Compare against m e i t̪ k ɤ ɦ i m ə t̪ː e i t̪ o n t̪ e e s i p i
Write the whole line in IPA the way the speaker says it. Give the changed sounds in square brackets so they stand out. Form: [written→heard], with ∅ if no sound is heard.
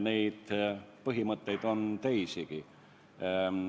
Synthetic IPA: [m→n] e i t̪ [k→p] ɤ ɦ i m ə t̪ː e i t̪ o n t̪ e [e→i] s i [p→k] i